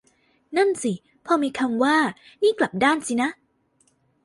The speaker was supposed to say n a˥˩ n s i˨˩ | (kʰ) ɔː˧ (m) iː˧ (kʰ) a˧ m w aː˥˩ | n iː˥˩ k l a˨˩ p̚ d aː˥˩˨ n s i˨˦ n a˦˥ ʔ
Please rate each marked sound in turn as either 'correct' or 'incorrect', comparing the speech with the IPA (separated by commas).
incorrect, correct, correct